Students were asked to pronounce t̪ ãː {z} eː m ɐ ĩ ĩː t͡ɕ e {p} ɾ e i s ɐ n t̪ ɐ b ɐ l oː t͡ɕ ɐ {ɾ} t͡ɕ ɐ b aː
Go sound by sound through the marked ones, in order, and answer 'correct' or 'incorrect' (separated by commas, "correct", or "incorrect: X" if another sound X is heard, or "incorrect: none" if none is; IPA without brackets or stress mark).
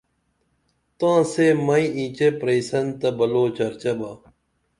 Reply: incorrect: s, correct, correct